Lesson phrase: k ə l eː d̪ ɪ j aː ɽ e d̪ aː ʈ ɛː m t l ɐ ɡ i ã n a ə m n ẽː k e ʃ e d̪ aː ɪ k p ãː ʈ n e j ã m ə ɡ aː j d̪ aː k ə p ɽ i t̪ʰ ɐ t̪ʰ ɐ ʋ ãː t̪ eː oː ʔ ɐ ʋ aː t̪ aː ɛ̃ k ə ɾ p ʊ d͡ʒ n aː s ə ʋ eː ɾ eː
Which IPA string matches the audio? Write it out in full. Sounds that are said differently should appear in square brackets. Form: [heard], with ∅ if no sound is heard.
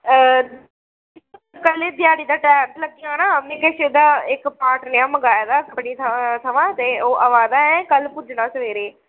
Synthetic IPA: k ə l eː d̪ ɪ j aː ɽ [i] d̪ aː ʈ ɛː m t l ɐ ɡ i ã n a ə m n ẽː k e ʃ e d̪ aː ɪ k p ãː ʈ n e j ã m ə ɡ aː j d̪ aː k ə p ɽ i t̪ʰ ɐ t̪ʰ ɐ ʋ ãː t̪ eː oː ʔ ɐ ʋ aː [d̪] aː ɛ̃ k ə [l] p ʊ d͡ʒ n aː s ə ʋ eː ɾ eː